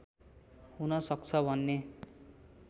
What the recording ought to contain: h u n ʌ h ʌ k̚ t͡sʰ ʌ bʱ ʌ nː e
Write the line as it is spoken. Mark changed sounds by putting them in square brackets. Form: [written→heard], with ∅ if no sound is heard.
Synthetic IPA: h u n ʌ [h→s] ʌ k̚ t͡sʰ ʌ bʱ ʌ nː e